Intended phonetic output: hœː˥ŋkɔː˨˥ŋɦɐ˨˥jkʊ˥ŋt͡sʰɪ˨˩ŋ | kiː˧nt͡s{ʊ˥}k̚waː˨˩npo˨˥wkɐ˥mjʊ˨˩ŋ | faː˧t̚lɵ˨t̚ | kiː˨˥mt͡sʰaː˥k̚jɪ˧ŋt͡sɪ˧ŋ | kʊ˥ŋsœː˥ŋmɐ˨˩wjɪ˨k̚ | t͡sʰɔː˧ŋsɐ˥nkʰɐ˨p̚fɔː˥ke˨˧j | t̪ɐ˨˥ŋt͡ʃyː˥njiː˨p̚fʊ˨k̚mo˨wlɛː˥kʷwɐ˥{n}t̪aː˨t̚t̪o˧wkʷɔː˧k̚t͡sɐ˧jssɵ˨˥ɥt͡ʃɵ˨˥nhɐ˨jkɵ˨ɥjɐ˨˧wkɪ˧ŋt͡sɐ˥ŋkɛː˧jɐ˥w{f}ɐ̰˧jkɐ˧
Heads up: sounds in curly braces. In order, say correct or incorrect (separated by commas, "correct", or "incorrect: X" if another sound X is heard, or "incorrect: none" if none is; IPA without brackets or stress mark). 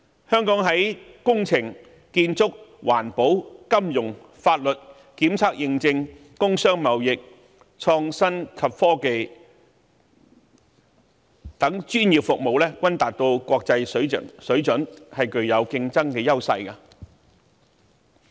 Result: correct, correct, incorrect: s